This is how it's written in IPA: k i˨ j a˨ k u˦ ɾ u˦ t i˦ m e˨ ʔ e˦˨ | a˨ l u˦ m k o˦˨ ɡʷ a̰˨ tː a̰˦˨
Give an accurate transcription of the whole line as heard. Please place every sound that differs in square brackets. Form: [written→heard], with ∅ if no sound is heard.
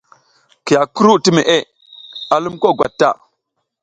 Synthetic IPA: k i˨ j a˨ k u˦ ɾ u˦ t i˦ m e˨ ʔ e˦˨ | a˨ l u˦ m k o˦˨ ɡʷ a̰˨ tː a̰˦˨

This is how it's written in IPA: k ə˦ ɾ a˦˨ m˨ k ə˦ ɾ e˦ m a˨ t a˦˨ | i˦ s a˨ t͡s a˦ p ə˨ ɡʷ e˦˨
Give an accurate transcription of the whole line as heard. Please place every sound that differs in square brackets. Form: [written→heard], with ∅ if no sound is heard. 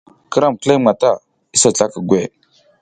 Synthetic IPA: k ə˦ ɾ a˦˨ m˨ k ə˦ [ɾ→l] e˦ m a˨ t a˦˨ | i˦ s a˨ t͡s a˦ [p→k] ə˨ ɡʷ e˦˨

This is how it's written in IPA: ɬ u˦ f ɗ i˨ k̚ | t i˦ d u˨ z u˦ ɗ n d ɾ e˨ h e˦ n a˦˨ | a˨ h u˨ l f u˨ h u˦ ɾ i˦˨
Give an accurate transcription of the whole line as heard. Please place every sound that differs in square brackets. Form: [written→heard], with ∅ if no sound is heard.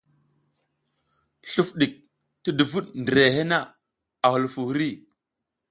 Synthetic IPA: ɬ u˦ f ɗ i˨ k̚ | t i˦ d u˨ [z→v] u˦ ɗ n d ɾ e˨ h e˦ n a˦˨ | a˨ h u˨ l f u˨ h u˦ ɾ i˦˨

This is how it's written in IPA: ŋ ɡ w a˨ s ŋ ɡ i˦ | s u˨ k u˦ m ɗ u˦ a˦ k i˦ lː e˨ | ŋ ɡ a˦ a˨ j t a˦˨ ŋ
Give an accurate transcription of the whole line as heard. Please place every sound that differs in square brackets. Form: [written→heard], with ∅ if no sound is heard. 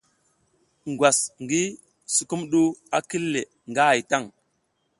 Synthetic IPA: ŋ ɡ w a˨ s ŋ ɡ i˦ | s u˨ k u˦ m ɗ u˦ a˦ k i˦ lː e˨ | ŋ ɡ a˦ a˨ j t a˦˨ ŋ

